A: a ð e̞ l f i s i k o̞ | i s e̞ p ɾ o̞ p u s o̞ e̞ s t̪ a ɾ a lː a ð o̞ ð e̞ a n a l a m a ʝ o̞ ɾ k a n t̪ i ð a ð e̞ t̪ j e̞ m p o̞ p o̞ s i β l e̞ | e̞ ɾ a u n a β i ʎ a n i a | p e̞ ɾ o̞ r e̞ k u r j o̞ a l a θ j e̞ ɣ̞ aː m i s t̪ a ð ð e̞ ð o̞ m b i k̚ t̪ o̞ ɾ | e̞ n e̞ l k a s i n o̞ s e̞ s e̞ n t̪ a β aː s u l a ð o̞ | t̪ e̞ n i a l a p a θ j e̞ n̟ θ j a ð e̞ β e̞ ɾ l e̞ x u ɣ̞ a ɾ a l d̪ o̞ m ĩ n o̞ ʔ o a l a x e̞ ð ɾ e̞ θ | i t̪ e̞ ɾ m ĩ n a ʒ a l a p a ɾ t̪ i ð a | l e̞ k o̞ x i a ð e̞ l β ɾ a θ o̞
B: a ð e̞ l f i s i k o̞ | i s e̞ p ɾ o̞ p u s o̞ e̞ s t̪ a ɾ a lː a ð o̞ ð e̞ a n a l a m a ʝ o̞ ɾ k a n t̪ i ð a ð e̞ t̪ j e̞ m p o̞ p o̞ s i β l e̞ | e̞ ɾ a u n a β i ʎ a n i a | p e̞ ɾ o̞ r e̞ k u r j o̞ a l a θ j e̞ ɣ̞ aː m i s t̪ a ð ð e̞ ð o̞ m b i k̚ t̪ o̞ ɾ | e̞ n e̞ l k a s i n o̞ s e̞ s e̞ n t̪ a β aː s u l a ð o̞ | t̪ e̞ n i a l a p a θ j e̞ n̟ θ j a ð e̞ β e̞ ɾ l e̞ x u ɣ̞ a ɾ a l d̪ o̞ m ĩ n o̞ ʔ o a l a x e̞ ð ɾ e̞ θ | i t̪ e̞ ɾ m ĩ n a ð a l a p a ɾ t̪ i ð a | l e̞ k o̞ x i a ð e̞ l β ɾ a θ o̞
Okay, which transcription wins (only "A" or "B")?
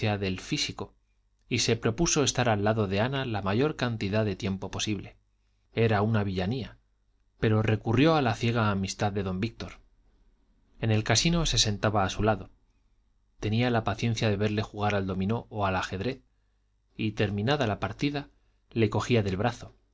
B